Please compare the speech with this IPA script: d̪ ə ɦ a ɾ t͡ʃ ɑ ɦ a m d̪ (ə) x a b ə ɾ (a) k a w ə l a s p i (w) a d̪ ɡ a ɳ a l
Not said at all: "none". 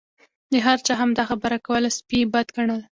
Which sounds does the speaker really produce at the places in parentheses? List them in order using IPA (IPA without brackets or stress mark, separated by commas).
ɑ, a, b